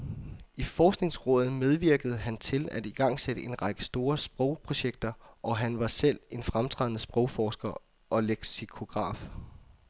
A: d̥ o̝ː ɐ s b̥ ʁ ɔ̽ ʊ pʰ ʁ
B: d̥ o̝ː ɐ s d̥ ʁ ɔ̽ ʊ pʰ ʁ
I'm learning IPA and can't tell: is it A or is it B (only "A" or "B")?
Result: A